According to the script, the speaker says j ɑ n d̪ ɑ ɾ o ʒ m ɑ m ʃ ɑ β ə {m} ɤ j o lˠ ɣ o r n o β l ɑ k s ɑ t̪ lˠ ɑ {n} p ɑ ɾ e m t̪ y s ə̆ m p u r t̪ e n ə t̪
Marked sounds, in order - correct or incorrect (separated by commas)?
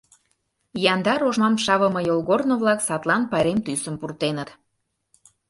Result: correct, correct